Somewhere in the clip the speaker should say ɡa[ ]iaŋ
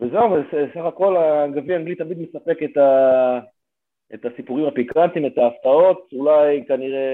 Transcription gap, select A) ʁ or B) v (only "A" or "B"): B